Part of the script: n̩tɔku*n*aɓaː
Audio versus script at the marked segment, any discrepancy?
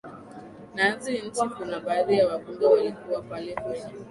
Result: no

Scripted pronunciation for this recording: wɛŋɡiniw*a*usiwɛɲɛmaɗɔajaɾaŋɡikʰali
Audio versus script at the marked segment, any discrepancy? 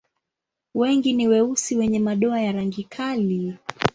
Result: yes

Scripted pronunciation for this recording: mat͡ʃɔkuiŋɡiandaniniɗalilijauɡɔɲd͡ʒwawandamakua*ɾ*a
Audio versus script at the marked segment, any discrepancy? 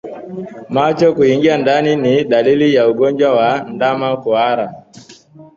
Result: no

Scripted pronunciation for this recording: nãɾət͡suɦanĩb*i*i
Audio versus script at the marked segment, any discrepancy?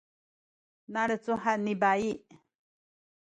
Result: yes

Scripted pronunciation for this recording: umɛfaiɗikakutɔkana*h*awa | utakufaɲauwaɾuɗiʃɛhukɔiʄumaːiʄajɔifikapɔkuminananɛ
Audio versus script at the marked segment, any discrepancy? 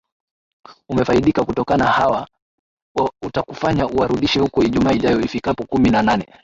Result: no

